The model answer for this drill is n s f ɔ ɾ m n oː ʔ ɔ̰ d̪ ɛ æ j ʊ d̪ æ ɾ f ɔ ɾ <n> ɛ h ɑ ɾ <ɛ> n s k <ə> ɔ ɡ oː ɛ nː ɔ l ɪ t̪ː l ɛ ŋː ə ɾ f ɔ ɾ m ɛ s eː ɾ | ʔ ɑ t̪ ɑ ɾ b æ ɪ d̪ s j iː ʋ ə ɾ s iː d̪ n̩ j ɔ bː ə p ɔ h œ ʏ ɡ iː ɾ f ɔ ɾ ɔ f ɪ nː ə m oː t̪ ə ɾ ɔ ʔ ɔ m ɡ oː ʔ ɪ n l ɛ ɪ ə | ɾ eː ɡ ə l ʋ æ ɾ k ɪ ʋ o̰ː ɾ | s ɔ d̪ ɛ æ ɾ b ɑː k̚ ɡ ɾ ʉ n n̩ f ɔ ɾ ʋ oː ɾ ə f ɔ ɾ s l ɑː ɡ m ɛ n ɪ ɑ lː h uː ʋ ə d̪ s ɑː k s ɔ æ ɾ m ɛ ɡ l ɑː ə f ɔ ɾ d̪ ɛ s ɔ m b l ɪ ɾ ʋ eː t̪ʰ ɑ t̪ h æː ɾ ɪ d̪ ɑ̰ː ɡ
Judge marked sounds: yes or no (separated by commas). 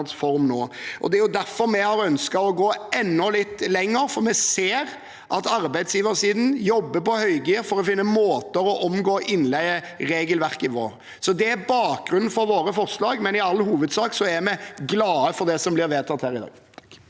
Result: no, no, no